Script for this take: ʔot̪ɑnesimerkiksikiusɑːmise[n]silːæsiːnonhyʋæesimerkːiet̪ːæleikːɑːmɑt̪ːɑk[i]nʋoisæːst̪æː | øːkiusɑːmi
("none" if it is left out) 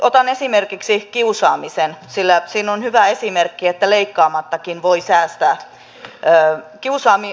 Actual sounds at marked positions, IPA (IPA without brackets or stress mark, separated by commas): n, i